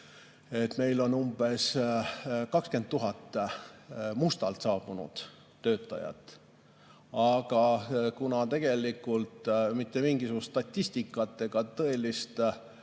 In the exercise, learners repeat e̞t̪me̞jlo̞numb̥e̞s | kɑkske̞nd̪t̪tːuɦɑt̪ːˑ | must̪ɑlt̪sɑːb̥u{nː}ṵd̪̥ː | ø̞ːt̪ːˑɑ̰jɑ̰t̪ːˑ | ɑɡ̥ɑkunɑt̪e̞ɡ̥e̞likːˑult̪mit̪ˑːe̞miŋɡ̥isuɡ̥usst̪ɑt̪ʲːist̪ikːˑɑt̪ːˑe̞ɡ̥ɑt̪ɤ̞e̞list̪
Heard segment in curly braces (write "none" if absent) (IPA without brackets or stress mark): n